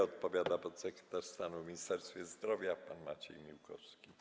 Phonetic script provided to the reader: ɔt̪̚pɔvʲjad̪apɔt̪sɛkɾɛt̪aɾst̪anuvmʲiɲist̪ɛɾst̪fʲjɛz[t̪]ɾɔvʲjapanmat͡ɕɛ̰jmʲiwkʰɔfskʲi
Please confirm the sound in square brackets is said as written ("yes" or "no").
no